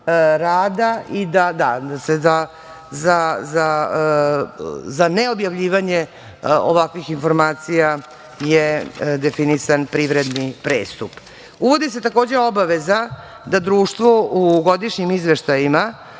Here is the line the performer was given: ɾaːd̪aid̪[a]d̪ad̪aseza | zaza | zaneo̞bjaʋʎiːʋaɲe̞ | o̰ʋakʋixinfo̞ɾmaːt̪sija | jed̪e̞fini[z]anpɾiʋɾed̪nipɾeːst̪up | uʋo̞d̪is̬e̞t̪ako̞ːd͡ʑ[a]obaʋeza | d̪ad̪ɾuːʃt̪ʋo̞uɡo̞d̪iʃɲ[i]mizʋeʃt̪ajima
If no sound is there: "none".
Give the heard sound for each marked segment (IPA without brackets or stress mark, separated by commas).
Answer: a, s, e, i